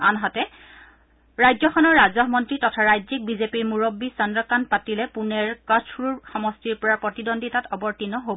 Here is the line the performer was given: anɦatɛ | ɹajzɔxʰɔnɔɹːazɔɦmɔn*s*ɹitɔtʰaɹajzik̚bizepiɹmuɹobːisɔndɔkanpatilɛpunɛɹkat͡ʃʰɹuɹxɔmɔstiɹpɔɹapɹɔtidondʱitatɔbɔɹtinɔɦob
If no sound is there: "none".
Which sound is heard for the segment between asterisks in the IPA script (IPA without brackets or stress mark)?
t